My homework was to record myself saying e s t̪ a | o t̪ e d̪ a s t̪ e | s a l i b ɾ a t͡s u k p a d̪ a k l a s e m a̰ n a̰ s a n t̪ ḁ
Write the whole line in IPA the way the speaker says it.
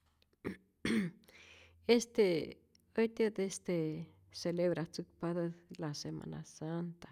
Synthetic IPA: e s t̪ e | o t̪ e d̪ e s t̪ e | s e l e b ɾ a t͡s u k p a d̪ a l a s e m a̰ n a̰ s a n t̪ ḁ